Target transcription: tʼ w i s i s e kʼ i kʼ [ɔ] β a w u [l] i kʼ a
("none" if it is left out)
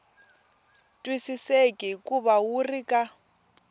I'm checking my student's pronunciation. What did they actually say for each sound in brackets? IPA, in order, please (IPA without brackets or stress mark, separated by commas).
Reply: u, r